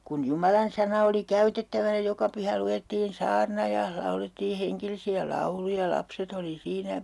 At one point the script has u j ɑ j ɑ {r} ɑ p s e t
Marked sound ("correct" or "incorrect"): incorrect